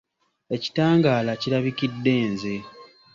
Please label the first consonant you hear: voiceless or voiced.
voiceless